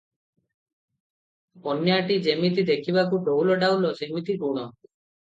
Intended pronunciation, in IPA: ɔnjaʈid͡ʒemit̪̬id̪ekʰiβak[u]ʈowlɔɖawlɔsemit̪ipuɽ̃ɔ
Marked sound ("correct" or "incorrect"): correct